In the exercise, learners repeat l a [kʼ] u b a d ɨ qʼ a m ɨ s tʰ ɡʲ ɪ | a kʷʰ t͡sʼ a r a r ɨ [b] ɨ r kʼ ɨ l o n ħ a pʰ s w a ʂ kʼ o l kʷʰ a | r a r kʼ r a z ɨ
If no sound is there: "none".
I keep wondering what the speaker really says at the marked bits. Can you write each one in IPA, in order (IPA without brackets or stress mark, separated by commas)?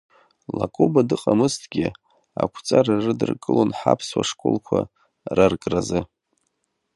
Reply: kʼ, d